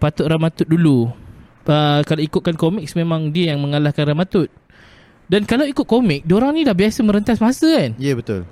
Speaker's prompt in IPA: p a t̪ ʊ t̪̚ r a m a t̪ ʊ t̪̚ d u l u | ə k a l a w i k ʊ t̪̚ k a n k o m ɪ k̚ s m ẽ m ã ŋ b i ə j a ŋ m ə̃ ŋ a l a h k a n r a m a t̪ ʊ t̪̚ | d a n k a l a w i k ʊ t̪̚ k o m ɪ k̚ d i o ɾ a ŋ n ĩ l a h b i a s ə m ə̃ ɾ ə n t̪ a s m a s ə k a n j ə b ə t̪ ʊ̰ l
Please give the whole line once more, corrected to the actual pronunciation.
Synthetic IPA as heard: p a t̪ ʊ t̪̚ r a m a t̪ ʊ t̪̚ d u l u | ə k a l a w i k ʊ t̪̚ k a n k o m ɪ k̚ s m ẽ m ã ŋ d i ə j a ŋ m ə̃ ŋ a l a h k a n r a m a t̪ ʊ t̪̚ | d a n k a l a w i k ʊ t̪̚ k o m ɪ k̚ d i o ɾ a ŋ n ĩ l a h b i a s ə m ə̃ ɾ ə n t̪ a s m a s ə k a n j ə b ə t̪ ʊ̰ l